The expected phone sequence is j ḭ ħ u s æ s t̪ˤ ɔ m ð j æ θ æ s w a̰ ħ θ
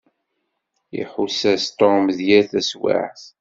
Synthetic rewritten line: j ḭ ħ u s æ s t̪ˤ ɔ m ð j æ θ æ s w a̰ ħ θ

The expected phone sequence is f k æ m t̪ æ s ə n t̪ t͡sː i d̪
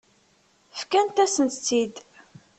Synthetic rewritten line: f k æ n t̪ æ s ə n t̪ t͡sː i d̪

